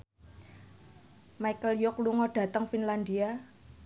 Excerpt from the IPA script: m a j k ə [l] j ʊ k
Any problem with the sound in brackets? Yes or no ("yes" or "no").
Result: no